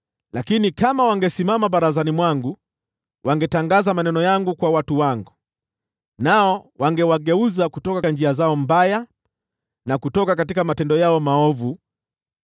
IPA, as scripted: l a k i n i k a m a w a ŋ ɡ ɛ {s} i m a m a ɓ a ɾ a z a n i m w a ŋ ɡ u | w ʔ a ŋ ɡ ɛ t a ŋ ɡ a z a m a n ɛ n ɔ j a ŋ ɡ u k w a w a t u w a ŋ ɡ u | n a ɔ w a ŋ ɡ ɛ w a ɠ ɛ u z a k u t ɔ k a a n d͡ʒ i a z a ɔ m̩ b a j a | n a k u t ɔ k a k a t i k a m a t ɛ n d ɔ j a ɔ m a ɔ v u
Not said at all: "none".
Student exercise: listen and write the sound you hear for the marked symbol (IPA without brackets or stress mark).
s